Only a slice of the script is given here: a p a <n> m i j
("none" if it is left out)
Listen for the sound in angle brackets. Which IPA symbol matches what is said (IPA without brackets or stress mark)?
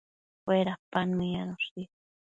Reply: n